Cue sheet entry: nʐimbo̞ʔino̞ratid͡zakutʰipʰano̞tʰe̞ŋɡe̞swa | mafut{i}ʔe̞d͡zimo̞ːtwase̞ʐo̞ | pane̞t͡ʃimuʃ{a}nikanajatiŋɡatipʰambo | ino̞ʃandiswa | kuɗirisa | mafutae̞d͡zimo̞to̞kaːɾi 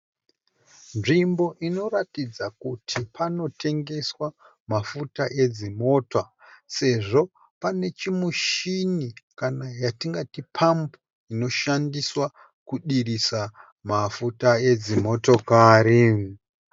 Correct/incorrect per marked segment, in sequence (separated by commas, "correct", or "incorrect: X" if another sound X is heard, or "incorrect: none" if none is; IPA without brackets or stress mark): incorrect: a, incorrect: i